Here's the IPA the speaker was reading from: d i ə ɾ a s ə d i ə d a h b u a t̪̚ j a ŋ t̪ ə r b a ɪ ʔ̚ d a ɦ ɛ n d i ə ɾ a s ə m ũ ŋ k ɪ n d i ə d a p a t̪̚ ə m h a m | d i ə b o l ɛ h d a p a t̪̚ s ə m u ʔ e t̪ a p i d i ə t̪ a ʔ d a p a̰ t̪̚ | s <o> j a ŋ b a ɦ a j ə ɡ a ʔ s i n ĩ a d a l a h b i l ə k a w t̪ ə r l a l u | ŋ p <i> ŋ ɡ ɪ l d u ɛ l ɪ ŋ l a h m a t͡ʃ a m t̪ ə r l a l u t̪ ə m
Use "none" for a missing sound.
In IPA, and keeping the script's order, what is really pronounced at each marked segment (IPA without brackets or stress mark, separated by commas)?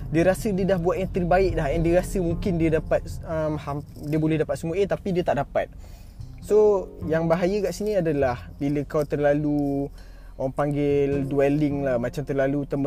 o, a